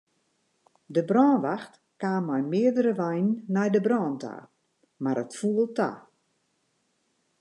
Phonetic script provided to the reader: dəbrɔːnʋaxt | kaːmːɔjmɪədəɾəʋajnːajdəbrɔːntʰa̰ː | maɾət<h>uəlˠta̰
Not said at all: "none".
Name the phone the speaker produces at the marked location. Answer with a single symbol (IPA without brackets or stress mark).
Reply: f